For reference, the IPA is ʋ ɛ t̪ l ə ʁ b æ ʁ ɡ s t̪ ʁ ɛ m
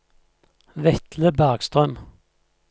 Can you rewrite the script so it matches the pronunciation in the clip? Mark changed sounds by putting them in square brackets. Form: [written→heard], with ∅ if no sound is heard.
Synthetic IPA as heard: ʋ ɛ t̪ l ə [ʁ→∅] b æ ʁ ɡ s t̪ ʁ [ɛ→œ] m